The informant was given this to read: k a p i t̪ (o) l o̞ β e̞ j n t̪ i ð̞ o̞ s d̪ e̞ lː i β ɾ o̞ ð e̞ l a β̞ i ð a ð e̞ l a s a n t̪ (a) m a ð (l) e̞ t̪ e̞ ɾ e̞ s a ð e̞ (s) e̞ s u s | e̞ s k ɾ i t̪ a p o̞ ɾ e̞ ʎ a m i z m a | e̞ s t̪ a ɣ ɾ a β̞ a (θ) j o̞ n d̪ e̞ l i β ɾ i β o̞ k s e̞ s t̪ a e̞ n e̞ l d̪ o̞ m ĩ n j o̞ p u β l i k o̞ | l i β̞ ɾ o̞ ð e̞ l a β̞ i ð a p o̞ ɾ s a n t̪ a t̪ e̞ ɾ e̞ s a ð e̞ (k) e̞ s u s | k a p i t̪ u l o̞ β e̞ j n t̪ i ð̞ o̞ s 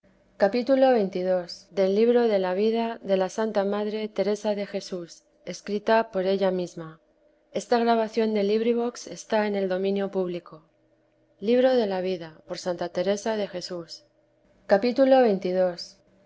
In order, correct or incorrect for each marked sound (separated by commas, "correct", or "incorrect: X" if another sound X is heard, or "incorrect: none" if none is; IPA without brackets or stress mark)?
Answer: incorrect: u, correct, incorrect: ɾ, incorrect: x, correct, incorrect: x